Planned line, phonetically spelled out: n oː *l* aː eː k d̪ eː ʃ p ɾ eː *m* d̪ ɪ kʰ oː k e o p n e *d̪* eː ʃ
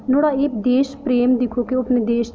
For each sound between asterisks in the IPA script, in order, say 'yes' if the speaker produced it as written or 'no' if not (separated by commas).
no, yes, yes